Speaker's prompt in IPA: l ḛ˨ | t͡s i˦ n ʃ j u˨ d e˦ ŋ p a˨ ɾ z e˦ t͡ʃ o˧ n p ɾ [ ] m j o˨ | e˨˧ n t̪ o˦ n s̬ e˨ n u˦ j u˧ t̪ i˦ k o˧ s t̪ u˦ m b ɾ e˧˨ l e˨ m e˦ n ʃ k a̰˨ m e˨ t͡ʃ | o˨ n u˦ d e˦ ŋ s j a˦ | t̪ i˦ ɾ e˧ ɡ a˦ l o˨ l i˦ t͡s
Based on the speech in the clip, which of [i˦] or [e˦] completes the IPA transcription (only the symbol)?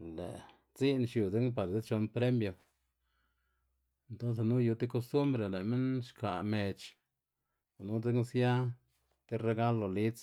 e˦